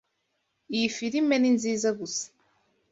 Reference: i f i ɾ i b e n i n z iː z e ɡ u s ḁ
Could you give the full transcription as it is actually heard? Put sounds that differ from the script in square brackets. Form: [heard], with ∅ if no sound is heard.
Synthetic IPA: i f i ɾ i [m] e n i n z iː z [a] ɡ u s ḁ